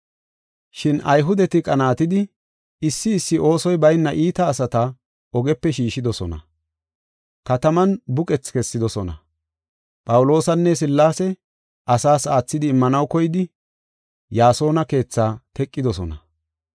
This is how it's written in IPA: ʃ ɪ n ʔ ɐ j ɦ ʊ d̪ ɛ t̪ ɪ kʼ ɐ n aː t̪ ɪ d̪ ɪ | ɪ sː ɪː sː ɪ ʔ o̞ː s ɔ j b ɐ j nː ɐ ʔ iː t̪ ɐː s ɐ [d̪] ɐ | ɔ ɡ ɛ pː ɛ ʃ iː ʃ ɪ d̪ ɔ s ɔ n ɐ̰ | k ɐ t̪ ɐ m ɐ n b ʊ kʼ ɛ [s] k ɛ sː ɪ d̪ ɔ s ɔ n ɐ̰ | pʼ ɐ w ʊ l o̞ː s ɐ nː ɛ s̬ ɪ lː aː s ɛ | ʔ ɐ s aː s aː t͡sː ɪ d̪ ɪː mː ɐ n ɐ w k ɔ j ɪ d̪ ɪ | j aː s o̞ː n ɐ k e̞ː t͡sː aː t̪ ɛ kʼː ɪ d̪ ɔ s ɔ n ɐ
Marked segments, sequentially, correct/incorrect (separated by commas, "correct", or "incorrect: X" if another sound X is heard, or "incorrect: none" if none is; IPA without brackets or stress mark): incorrect: t̪, incorrect: t͡s